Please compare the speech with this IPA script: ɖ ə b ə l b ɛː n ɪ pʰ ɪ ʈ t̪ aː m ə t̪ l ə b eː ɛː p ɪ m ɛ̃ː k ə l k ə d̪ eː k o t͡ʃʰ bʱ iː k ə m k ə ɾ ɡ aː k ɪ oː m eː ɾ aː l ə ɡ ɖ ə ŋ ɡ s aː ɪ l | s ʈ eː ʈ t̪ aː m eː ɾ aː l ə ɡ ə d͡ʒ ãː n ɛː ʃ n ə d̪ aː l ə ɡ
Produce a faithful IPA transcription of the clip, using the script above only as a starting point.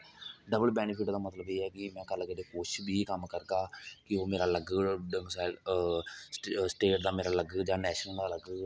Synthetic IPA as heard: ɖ ə b ə l b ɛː n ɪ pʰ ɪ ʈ d̪ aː m ə t̪ l ə b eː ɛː k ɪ m ɛ̃ː k ə l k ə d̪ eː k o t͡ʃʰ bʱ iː k ə m k ə ɾ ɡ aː k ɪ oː m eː ɾ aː l ə ɡ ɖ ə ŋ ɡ s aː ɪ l | s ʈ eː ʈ d̪ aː m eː ɾ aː l ə ɡ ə d͡ʒ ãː n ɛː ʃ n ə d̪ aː l ə ɡ